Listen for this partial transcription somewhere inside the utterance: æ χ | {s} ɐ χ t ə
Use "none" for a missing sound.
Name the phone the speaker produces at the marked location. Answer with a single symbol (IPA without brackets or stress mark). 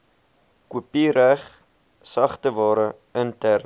s